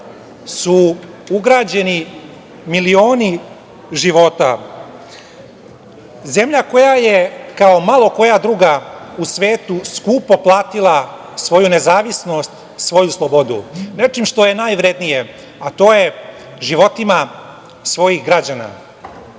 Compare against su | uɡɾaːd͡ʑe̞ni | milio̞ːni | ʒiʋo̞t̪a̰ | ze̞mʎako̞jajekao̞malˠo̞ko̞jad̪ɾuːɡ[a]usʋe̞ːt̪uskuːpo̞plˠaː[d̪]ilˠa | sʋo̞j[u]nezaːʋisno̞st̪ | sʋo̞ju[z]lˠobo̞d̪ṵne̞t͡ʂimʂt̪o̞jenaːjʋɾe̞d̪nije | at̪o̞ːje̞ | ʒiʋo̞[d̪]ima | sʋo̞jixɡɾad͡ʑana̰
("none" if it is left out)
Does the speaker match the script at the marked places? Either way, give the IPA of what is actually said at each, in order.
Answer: a, t̪, u, s, t̪

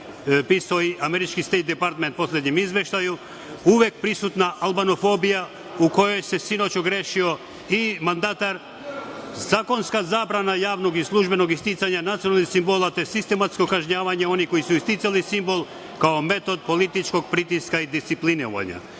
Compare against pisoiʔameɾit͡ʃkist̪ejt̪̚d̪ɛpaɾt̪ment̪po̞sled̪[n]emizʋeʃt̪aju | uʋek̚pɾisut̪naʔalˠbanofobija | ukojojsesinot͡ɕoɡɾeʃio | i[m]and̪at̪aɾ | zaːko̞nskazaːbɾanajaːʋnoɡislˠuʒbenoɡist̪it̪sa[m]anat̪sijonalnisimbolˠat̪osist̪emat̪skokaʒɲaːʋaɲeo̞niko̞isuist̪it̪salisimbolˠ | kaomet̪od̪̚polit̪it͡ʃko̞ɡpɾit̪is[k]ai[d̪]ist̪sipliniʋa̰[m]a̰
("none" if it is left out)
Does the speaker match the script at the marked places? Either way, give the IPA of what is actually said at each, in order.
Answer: ɲ, m, ɲ, k, d̪, ɲ

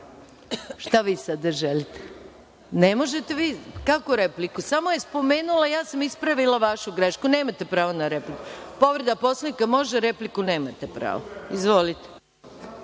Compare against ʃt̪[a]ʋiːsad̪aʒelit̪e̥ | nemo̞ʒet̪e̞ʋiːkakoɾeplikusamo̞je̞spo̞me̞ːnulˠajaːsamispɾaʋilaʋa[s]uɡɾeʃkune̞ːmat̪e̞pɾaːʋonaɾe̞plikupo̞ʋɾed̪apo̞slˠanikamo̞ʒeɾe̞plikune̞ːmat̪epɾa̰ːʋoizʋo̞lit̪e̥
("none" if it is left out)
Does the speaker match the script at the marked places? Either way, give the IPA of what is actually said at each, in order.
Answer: a, ʃ

